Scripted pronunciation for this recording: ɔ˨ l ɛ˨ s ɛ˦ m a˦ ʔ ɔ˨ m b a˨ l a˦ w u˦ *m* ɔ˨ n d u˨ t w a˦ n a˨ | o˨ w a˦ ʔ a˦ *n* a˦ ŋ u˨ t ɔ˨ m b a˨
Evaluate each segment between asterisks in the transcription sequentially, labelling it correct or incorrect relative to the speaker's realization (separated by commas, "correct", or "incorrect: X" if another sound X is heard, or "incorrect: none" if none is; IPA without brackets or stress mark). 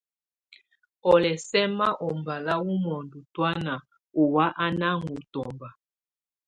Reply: correct, correct